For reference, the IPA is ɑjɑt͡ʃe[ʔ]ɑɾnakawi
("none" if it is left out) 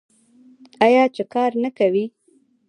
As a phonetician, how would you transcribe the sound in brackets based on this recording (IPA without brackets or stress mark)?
k